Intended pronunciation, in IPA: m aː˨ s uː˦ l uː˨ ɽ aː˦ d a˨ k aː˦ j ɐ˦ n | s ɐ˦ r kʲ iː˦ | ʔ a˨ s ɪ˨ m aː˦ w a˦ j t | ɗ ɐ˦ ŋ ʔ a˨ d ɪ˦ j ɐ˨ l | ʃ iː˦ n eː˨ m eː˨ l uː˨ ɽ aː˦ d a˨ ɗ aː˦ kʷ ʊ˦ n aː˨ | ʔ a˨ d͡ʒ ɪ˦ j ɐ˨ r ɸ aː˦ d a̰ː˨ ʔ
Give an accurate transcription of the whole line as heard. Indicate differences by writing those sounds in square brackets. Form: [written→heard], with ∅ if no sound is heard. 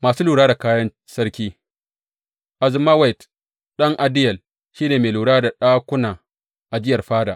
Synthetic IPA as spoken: m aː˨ s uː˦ l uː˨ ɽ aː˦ d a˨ k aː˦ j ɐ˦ n | s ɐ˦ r kʲ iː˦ | ʔ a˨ [s→z] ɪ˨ m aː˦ w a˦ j t | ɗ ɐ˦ ŋ ʔ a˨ d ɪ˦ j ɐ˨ l | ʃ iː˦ n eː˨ m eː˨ l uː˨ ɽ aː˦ d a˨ ɗ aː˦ kʷ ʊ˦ n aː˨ | ʔ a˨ d͡ʒ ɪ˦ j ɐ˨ r ɸ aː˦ d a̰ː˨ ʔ